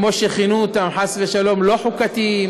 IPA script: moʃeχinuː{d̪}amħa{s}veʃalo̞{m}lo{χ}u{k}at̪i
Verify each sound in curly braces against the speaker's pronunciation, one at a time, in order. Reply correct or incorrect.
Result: incorrect, correct, correct, incorrect, correct

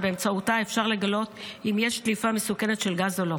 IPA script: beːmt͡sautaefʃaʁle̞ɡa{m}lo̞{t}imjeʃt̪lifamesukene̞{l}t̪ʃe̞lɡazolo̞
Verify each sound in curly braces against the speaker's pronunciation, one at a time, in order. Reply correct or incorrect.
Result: incorrect, correct, incorrect

